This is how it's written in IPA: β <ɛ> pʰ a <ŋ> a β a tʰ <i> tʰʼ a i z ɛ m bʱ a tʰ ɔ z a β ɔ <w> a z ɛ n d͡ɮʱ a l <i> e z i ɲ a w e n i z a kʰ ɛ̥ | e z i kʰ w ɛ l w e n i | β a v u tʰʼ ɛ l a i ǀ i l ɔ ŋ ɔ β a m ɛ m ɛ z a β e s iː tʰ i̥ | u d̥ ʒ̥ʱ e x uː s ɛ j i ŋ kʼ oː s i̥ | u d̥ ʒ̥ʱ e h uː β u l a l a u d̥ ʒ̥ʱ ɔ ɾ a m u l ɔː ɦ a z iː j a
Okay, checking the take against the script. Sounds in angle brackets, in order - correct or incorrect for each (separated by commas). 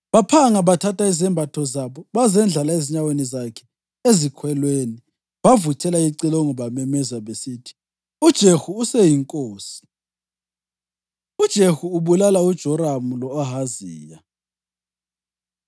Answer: incorrect, correct, incorrect, incorrect, incorrect